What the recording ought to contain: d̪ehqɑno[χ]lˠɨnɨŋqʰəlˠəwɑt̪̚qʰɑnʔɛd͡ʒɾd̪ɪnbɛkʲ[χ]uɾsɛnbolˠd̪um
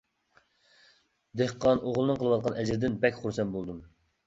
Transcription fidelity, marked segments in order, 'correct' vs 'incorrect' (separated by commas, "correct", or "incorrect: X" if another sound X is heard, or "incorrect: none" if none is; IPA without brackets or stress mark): incorrect: ʁ, correct